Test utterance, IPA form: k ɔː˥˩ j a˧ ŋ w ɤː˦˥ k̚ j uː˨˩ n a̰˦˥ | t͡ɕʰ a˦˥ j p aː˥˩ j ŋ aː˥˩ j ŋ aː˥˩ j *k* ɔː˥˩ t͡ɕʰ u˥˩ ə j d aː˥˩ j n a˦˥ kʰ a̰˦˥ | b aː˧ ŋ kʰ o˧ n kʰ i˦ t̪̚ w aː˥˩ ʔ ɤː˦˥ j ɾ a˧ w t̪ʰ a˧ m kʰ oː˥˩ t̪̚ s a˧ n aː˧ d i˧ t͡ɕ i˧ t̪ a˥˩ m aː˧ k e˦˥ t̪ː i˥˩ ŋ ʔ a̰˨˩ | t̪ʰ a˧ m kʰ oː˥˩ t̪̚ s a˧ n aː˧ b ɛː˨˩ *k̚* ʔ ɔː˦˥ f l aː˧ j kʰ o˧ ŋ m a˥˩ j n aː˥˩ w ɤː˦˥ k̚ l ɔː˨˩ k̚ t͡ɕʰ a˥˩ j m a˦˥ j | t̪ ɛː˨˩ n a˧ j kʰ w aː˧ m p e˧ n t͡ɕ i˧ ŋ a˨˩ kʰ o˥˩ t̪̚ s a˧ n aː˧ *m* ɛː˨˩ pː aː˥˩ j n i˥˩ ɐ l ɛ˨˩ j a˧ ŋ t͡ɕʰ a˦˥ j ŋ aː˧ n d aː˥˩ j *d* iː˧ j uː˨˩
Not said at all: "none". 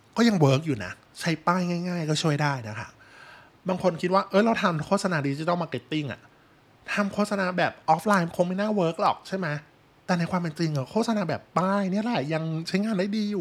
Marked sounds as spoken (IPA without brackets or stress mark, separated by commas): k, p̚, b, d